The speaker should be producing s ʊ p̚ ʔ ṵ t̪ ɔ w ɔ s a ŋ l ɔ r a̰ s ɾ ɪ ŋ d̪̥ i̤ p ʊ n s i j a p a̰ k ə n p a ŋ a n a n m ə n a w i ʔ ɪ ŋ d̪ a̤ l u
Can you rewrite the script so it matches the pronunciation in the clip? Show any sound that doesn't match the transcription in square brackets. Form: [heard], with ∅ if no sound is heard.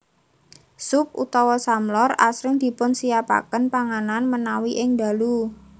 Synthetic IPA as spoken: s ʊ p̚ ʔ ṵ t̪ ɔ w ɔ s a [m] l ɔ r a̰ s ɾ ɪ ŋ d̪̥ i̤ p ʊ n s i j a p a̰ k ə n p a ŋ a n a n m ə n a w i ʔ ɪ ŋ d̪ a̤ l u